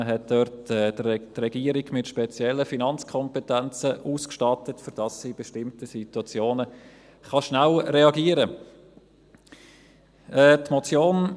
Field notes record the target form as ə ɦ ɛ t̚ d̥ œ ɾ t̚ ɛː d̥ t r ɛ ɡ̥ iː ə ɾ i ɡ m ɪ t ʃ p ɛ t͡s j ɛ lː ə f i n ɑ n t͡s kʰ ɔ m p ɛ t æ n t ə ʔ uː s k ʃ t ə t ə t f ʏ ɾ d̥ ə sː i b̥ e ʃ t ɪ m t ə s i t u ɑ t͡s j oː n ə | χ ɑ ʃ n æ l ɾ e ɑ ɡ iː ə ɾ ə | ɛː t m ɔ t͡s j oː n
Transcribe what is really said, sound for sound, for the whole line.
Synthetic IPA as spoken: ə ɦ ɛ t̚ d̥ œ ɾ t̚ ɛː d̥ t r ɛ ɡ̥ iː ə ɾ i ɡ m ɪ t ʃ p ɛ t͡s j ɛ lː ə f i n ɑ n t͡s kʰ ɔ m p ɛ t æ n t͡s ə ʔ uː s k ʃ t ɑ t ə t f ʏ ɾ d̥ ɑ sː i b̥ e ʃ t ɪ m t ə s i t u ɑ t͡s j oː n ə | χ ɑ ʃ n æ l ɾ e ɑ ɡ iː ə ɾ ə | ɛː t m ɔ t͡s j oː n

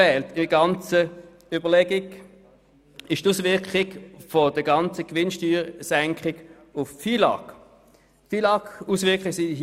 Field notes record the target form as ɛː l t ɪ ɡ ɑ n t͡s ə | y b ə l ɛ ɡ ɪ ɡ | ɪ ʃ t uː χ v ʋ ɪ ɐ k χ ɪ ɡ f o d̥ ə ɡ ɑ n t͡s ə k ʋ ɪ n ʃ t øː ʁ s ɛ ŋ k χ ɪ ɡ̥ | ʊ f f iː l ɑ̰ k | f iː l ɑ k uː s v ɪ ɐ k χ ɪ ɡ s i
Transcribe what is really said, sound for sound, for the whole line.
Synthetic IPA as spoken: ɛː l t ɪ ɡ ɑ n t͡s ə | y b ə l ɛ ɡ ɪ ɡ | ɪ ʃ t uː s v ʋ ɪ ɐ k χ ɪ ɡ f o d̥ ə ɡ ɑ n t͡s ə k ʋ ɪ n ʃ t yː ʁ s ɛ ŋ k χ ɪ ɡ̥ | ʊ f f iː l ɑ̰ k | f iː l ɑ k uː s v ɪ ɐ k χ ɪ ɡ s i

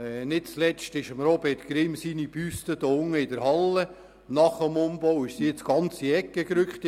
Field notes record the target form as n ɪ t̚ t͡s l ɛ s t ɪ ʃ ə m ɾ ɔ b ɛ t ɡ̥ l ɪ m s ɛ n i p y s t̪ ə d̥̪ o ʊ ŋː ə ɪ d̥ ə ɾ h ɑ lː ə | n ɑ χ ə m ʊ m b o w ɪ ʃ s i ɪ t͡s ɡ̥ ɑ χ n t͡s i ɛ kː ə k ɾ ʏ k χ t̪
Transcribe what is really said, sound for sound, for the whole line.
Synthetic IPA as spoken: n ɪ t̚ t͡s l ɛ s t ɪ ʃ ə m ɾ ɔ b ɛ t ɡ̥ ɾ ɪ m s i n i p y s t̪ ə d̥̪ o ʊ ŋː ə ɪ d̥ ə ɾ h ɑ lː ə | n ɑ χ ə m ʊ m b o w ɪ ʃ s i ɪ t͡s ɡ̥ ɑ n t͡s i ɛ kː ə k ɾ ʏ k χ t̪

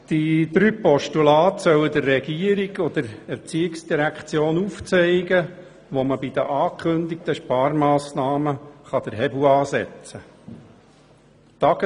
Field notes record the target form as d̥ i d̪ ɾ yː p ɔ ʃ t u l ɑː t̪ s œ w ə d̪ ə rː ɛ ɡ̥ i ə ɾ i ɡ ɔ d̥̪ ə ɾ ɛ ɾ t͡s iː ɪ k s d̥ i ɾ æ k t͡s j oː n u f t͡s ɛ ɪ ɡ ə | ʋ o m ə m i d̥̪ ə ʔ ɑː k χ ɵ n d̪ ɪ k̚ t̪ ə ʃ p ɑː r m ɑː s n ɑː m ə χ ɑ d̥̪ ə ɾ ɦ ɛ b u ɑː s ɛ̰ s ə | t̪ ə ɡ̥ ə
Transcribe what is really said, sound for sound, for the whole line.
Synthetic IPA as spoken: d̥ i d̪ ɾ yː p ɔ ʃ t u l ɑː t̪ s œ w ə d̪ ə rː ɛ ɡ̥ i ə ɾ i ɡ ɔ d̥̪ ə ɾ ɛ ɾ t͡s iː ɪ k s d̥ i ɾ æ k t͡s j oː n u f t͡s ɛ ɪ ɡ ə | ʋ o m ə b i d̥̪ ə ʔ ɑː k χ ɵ n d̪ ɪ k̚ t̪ ə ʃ p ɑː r m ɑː s n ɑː m ə χ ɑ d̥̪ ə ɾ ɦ ɛ b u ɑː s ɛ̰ t͡s ə | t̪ ɑ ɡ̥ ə

